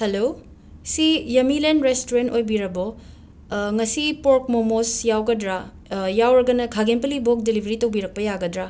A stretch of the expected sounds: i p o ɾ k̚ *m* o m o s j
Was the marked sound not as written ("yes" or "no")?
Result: no